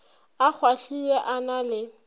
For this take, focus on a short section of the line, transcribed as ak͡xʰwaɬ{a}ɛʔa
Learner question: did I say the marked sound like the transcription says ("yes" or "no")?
no